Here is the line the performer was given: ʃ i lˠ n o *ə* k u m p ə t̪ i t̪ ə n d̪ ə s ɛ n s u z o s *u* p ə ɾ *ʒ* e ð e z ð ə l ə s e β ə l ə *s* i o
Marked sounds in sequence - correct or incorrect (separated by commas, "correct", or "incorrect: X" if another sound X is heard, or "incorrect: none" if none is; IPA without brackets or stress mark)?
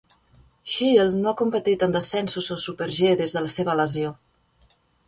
incorrect: a, correct, correct, incorrect: z